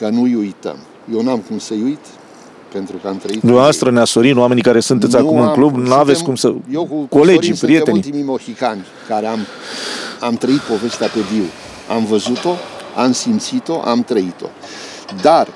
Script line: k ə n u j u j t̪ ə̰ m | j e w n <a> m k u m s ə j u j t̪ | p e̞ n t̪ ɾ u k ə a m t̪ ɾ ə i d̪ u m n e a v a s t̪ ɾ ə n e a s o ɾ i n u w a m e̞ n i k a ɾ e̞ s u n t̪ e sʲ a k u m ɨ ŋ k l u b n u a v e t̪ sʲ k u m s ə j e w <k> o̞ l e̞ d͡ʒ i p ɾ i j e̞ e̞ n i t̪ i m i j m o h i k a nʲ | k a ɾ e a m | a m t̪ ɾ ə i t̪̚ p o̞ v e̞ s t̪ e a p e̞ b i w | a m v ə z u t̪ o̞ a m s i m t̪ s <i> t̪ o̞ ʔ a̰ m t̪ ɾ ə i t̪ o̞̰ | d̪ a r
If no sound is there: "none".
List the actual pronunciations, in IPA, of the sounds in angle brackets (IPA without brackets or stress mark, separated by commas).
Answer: a, k, i